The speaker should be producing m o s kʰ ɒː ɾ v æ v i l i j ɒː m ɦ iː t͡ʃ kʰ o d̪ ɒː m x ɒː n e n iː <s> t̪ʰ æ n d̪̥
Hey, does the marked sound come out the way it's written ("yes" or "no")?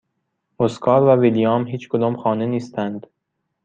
yes